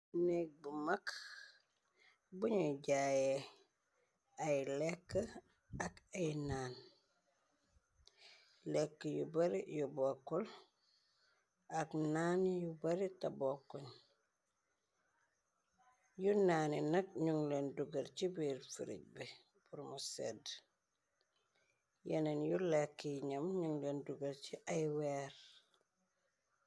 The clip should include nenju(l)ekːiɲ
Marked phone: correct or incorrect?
correct